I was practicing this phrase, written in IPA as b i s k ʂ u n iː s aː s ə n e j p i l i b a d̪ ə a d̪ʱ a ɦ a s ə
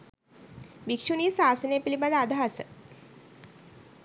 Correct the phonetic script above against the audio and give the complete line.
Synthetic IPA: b i k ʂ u n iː s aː s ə n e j p i l i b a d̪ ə a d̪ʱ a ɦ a s ə